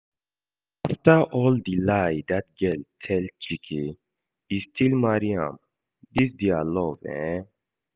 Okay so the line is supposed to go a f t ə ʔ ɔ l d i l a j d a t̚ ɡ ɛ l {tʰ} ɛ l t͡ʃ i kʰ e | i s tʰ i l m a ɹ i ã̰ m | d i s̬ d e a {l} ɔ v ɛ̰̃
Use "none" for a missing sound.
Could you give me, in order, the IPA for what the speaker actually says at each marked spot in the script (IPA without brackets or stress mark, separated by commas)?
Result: tʰ, l